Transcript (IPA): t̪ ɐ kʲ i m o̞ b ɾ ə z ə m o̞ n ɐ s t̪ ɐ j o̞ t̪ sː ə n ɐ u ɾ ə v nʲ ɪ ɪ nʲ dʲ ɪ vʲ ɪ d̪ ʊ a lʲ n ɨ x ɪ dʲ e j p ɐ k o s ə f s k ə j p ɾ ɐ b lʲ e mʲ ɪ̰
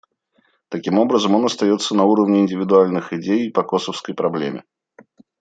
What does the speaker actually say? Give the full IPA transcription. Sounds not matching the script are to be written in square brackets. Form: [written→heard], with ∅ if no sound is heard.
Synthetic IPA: t̪ ɐ kʲ i m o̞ b ɾ ə z ə m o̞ n ɐ s t̪ ɐ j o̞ t̪ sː ə n ɐ u ɾ ə v nʲ ɪ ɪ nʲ dʲ ɪ vʲ ɪ d̪ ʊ a lʲ n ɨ x ɪ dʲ e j p ɐ k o s ə f s k ə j p ɾ ɐ b lʲ e mʲ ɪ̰